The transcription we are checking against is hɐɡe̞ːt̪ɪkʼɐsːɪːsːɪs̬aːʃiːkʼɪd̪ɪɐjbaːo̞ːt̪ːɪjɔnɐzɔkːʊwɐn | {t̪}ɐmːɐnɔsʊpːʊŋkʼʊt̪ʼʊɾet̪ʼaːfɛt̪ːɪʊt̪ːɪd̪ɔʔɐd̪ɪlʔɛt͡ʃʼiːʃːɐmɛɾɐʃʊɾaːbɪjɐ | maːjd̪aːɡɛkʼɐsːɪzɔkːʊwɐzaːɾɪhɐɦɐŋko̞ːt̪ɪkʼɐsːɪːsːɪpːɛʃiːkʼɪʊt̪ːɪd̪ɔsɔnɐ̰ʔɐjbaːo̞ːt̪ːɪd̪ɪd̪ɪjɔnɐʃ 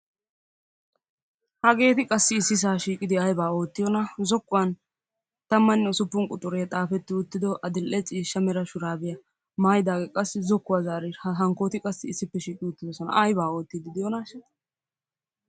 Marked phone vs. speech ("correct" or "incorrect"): correct